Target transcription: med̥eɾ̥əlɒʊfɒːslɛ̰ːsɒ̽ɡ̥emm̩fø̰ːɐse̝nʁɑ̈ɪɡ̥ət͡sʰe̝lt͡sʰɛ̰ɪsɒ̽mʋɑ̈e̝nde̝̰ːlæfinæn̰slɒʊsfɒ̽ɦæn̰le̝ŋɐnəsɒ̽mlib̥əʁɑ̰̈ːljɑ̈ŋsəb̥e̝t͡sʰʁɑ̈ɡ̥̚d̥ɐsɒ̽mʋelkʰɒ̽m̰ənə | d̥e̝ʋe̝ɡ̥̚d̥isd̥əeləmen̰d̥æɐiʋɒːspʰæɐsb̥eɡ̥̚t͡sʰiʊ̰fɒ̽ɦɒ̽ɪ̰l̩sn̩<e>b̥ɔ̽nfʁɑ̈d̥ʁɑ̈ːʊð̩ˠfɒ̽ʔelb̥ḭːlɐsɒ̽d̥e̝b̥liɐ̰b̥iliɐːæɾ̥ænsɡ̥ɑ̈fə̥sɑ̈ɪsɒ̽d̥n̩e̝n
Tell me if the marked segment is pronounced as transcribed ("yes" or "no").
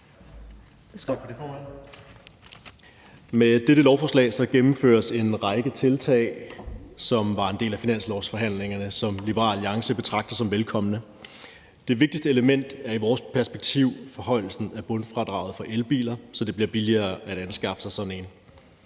no